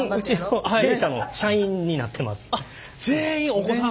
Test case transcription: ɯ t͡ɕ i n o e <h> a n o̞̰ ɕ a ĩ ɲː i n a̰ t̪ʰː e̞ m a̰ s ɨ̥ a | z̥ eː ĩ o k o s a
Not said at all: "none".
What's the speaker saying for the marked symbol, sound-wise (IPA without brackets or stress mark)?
ɕ